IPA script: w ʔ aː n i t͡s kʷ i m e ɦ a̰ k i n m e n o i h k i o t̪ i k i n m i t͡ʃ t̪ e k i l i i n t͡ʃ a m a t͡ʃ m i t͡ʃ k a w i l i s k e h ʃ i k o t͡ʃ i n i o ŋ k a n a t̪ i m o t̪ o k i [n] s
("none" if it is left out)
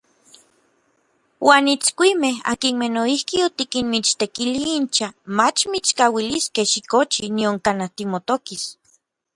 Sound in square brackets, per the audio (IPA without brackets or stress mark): none